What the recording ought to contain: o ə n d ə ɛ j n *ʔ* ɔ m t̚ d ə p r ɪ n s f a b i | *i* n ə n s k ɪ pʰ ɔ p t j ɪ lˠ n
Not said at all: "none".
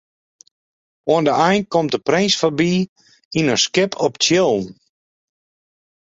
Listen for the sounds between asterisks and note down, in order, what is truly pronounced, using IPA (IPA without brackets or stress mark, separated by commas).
k, i